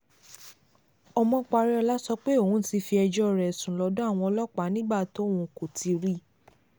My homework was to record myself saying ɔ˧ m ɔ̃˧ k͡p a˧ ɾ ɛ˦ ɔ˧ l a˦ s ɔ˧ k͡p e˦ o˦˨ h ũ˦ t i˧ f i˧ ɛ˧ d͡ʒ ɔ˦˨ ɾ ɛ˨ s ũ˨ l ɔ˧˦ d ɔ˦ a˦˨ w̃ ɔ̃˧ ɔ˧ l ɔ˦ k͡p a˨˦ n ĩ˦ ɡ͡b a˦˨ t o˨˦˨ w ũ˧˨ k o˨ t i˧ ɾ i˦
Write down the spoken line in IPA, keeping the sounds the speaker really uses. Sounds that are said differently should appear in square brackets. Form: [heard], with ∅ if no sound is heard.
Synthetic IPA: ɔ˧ m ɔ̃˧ k͡p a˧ ɾ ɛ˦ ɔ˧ l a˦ s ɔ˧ k͡p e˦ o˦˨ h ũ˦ t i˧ f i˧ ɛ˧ d͡ʒ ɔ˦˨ ɾ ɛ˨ s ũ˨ l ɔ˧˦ d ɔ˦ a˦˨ w̃ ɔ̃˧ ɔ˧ l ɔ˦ k͡p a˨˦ n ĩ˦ ɡ͡b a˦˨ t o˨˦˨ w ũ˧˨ k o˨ t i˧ ɾ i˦

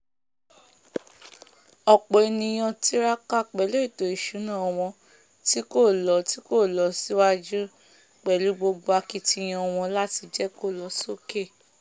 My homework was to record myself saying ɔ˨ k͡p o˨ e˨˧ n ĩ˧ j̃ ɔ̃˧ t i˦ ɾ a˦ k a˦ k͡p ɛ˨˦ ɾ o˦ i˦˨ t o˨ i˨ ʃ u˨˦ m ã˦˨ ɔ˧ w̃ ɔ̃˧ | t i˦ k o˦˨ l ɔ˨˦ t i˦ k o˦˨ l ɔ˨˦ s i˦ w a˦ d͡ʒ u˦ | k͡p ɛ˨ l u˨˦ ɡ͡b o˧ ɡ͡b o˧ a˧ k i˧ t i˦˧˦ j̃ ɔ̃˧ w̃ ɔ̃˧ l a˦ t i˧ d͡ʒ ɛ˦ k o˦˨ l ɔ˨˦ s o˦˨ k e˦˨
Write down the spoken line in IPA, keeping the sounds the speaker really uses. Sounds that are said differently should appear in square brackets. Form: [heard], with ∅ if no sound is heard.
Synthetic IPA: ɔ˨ k͡p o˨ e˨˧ n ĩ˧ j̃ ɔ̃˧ t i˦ ɾ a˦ k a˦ k͡p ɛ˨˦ [l] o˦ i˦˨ t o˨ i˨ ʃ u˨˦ [n] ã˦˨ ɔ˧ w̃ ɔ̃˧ | t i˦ k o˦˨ l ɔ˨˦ t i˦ k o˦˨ l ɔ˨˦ s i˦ w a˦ d͡ʒ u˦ | k͡p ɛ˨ l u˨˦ ɡ͡b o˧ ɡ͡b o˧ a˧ k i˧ t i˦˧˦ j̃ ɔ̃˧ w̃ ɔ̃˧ l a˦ t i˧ d͡ʒ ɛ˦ k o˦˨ l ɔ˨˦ s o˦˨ k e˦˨

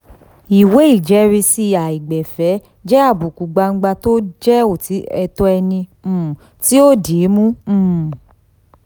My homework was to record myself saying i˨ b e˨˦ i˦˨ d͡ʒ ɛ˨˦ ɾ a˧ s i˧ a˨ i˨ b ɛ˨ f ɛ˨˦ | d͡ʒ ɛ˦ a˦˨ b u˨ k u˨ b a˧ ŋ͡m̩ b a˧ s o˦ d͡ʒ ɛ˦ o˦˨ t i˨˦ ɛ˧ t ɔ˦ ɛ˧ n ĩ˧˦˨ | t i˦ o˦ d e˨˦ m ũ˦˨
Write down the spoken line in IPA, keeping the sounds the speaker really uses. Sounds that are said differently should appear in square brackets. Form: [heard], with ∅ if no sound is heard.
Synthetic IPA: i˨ [w] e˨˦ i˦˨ d͡ʒ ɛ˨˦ ɾ [i˧] s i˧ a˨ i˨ [ɡ͡b] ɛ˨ f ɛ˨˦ | d͡ʒ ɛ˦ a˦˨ b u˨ k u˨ [ɡ͡b] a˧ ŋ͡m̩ [ɡ͡b] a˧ [t] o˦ d͡ʒ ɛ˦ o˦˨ t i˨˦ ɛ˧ t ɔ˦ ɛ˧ n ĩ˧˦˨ | t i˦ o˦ d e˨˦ m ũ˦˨

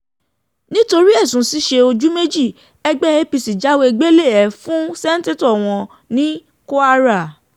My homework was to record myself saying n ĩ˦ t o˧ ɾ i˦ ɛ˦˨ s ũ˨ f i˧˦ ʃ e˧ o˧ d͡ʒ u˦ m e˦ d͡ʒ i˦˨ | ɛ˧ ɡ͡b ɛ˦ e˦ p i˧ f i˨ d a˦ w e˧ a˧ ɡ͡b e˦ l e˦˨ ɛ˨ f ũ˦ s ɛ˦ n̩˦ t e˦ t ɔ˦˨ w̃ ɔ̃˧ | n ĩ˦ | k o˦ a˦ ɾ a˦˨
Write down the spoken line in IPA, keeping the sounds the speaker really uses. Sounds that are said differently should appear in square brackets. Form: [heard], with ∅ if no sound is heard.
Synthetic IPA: n ĩ˦ t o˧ ɾ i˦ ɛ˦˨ s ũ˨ [s] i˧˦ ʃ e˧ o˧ d͡ʒ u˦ m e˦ d͡ʒ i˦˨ | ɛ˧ ɡ͡b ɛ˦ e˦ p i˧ [s] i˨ [d͡ʒ] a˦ w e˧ [e˧] ɡ͡b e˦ l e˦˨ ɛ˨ f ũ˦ s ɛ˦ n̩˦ t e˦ t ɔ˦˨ w̃ ɔ̃˧ | n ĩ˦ | k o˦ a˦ ɾ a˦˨

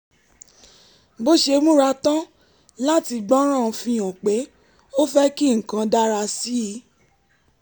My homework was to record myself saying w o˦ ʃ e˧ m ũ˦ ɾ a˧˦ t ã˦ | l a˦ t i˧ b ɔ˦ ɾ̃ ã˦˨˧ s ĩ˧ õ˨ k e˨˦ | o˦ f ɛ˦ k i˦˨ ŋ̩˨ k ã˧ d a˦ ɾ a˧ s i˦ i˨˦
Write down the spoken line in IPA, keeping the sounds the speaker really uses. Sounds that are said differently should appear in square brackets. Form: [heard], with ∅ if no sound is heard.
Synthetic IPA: [b] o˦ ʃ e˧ m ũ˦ ɾ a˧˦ t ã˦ | l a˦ t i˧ [ɡ͡b] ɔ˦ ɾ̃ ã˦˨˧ [f] ĩ˧ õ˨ [k͡p] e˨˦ | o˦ f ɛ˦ k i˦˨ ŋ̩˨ k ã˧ d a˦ ɾ a˧ s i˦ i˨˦

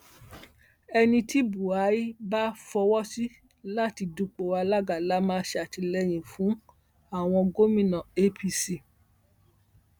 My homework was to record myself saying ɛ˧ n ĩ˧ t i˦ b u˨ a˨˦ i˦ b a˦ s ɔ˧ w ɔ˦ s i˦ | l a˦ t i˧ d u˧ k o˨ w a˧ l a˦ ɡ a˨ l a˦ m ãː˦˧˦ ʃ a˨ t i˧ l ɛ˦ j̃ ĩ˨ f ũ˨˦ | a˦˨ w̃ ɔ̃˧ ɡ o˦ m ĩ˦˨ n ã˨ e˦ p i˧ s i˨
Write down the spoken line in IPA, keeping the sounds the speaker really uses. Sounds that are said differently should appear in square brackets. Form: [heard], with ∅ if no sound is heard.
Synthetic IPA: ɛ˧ n ĩ˧ t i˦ b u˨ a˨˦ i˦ b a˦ [f] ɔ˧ w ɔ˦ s i˦ | l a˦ t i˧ d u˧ [k͡p] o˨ w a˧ l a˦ ɡ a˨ l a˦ m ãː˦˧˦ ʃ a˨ t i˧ l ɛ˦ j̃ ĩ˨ f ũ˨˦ | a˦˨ w̃ ɔ̃˧ ɡ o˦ m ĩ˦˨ n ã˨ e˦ p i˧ s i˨

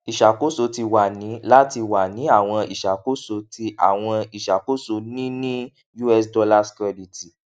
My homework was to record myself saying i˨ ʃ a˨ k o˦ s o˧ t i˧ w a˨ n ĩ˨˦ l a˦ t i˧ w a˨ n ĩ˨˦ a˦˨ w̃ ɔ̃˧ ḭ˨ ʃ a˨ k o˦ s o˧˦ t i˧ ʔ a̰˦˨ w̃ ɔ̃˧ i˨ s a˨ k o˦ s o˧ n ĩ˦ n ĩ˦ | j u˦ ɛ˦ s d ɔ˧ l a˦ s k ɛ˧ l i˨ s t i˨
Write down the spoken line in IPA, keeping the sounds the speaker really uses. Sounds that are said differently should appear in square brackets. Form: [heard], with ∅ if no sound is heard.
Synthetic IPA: i˨ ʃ a˨ k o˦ s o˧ t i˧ w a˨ n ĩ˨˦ l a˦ t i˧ w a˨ n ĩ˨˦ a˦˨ w̃ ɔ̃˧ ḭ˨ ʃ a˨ k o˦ s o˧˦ t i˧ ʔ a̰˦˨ w̃ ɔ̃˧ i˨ [ʃ] a˨ k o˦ s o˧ n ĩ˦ n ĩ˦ | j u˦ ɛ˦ s d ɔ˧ l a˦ s k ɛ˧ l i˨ [∅] t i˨

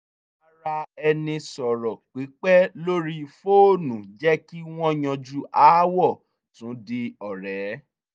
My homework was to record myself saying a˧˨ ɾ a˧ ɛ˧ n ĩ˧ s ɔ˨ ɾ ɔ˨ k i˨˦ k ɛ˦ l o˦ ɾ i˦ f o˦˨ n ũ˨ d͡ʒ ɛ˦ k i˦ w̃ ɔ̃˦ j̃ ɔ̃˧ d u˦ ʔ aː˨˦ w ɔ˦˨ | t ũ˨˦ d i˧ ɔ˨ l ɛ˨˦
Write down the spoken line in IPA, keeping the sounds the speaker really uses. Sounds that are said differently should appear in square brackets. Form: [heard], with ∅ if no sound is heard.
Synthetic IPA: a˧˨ ɾ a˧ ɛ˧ n ĩ˧ s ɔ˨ ɾ ɔ˨ [k͡p] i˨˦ [k͡p] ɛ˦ l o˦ ɾ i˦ f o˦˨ n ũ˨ d͡ʒ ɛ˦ k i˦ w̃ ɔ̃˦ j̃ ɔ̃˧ [d͡ʒ] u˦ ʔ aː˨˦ w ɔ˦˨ | t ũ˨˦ d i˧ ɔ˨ [ɾ] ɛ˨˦

